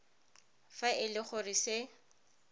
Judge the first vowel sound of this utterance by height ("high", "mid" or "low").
low